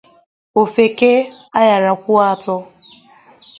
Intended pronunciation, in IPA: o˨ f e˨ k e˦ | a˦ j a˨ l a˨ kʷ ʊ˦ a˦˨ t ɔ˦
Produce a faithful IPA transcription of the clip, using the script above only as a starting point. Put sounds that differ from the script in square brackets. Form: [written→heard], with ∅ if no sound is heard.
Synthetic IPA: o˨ f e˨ k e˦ | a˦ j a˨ [l→ɾ] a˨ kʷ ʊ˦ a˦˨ t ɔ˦